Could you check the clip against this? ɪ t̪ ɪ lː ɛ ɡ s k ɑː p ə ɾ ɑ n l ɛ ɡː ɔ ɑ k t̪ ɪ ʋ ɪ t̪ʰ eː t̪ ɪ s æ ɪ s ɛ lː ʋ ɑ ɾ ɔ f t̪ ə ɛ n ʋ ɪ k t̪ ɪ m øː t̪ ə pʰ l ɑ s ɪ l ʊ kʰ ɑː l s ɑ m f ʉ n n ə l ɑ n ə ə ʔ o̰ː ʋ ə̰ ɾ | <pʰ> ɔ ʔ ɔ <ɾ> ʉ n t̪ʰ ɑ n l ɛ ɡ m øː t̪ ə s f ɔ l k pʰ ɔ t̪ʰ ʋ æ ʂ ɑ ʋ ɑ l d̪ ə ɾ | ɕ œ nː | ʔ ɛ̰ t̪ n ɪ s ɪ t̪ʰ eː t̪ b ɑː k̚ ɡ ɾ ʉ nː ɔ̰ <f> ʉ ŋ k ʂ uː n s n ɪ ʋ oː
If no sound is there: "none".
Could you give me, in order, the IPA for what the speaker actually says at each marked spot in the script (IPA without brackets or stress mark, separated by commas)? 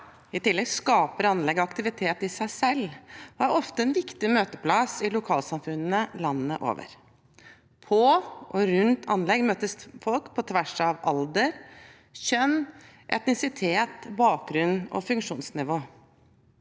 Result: pʰ, ɾ, f